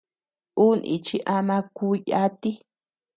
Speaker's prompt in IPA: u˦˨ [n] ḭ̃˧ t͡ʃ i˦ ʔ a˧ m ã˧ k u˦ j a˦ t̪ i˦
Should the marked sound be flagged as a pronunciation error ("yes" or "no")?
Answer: no